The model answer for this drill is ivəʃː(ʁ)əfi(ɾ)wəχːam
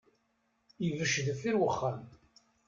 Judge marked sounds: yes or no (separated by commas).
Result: no, yes